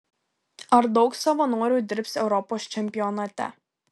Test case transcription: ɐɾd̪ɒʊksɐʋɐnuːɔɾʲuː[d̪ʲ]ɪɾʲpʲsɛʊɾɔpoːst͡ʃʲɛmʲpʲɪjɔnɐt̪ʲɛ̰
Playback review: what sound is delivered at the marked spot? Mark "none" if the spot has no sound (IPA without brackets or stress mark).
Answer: d̪ʲ